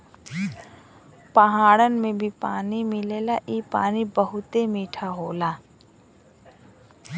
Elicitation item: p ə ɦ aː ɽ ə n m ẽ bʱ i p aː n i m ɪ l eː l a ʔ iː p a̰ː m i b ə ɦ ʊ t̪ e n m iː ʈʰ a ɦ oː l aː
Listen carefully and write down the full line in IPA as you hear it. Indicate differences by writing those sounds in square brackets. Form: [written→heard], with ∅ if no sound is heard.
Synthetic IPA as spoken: p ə ɦ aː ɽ ə n m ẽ bʱ i p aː n i m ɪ l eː l a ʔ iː p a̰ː [m→n] i b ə ɦ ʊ t̪ e [n→∅] m iː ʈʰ a ɦ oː l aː